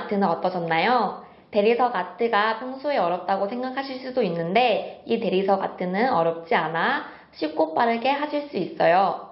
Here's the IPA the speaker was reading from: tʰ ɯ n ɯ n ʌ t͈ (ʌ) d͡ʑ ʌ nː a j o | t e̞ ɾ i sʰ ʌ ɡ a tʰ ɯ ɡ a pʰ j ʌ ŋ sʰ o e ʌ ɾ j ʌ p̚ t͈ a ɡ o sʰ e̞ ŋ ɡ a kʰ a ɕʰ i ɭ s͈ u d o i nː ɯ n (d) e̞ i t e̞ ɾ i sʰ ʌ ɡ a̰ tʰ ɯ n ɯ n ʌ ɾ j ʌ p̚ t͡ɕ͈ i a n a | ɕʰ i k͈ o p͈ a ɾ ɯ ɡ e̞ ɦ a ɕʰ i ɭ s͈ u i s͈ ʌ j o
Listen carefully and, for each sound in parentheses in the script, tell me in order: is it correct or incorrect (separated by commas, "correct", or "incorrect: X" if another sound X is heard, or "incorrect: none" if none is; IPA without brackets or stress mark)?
correct, correct